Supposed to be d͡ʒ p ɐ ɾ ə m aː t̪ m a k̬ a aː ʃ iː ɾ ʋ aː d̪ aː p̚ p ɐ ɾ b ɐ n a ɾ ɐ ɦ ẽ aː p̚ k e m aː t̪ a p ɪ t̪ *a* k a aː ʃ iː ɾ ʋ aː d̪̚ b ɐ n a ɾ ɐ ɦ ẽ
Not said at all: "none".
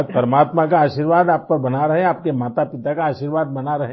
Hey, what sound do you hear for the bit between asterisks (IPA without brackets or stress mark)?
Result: a